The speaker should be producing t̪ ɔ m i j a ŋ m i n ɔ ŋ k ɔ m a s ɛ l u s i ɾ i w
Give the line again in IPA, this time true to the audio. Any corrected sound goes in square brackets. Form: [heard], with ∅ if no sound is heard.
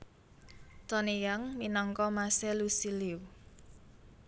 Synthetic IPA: t̪ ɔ [n] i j a ŋ m i n ɔ ŋ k ɔ m a s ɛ l u s i [l] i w